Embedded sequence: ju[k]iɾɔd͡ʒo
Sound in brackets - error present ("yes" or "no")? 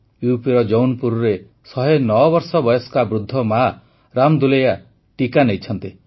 yes